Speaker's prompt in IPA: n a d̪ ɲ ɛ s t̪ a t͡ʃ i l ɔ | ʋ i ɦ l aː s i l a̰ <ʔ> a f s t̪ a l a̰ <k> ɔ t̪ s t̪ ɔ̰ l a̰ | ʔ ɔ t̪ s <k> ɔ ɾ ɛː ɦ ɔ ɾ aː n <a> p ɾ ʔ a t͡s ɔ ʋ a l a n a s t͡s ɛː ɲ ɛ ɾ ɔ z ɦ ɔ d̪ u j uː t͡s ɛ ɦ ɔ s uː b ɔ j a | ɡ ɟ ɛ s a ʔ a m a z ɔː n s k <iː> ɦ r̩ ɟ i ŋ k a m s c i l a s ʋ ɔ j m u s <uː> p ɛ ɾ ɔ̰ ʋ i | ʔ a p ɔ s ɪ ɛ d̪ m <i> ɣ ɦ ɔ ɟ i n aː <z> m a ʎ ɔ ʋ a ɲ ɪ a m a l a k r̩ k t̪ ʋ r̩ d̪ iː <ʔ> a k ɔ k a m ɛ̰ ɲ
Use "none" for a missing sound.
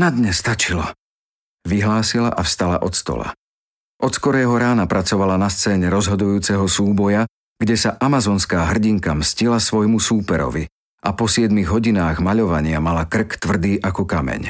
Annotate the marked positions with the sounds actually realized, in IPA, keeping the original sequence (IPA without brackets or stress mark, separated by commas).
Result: ʔ, ʔ, k, a, aː, uː, i, ɣ, ʔ